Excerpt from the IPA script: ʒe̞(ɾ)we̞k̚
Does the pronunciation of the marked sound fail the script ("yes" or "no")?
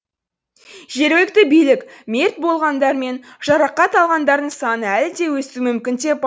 no